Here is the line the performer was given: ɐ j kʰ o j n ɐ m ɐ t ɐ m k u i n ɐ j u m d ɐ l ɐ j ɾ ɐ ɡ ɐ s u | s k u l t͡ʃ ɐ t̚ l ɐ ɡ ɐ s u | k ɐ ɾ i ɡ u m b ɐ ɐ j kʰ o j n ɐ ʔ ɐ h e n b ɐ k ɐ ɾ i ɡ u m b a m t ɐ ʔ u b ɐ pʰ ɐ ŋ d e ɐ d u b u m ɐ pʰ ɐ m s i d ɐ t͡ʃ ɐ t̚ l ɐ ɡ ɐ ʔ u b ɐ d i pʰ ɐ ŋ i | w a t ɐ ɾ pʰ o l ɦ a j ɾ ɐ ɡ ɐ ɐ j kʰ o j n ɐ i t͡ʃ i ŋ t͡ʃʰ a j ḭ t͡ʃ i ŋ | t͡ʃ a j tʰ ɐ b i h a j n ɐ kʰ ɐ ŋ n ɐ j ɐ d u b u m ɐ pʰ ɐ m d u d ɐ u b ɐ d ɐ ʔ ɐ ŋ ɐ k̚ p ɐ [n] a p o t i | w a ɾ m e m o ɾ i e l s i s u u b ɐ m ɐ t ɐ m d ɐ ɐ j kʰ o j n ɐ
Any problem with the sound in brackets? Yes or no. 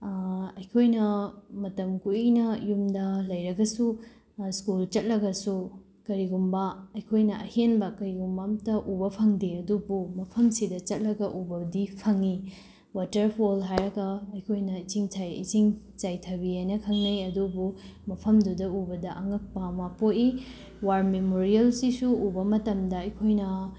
yes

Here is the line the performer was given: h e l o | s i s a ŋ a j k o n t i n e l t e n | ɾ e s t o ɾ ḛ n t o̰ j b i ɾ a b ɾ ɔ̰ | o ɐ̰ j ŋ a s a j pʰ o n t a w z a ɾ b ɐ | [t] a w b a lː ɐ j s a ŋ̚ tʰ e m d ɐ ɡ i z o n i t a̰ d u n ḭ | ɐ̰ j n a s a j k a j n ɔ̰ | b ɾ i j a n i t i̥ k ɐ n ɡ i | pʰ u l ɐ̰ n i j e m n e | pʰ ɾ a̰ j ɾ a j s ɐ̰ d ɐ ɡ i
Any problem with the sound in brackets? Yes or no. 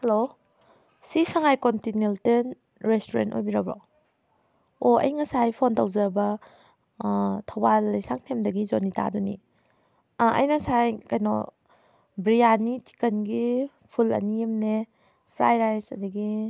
yes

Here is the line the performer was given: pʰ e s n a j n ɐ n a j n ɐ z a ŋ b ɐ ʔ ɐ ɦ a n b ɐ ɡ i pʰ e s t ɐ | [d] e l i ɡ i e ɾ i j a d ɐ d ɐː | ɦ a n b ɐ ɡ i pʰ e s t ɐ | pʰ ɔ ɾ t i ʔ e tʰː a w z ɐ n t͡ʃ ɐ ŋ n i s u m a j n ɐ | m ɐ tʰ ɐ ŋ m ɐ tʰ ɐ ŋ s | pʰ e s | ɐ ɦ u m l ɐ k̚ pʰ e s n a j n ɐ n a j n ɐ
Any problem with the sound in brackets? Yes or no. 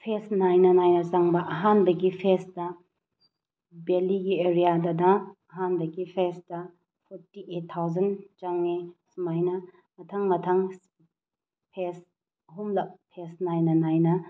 yes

